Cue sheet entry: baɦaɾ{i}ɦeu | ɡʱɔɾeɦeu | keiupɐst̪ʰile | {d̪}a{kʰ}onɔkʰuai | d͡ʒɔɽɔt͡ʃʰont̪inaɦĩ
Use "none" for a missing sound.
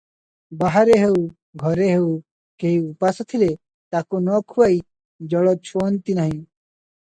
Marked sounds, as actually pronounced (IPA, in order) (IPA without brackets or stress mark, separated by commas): e, t̪, k